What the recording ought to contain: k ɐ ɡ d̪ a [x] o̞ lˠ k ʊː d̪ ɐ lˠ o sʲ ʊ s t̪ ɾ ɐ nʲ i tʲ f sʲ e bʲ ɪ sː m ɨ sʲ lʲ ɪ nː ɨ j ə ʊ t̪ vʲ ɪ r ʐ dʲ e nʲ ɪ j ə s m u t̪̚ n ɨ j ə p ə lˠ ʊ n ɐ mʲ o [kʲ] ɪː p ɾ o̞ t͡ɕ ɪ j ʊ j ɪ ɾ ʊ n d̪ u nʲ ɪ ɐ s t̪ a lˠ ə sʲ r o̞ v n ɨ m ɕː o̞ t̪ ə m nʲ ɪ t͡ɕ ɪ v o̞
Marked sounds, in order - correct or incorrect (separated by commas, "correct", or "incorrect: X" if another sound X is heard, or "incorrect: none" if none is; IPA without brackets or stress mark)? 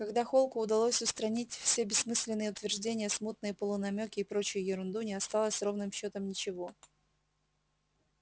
correct, correct